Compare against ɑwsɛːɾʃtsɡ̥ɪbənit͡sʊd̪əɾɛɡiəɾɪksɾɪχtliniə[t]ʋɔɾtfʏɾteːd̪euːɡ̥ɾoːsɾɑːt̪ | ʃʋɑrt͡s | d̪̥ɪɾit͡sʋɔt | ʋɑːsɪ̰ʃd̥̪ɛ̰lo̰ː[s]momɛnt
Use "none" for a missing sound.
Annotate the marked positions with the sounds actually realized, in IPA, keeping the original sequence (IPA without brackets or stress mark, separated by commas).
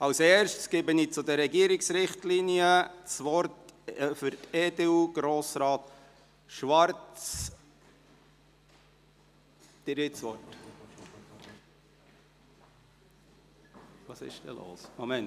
t͡s, s